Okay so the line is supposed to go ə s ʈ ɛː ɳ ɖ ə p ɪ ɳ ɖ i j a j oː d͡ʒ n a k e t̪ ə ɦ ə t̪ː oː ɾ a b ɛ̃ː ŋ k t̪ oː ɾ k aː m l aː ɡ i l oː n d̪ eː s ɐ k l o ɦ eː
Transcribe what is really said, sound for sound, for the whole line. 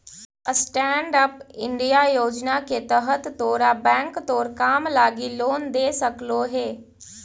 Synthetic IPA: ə s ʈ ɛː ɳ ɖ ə p ɪ ɳ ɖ i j a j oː d͡ʒ n a k e t̪ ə ɦ ə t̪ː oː ɾ a b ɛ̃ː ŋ k t̪ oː ɾ k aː m l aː ɡ i l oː n d̪ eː s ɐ k l o ɦ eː